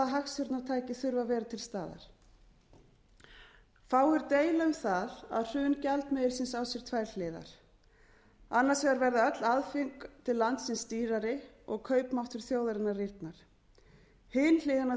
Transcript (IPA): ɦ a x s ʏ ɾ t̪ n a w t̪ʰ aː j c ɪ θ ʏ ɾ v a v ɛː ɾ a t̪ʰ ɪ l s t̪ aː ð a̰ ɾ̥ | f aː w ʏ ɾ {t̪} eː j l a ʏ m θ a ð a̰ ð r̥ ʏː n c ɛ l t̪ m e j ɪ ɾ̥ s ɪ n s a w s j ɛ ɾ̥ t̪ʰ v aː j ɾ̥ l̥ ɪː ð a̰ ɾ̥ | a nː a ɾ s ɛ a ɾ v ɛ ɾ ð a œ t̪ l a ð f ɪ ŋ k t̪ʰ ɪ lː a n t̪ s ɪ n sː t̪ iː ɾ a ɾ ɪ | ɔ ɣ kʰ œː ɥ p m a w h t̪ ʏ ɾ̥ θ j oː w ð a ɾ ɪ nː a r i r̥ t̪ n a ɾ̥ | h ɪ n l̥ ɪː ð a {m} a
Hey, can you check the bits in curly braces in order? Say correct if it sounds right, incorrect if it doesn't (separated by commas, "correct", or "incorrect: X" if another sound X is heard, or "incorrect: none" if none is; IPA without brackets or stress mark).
correct, incorrect: n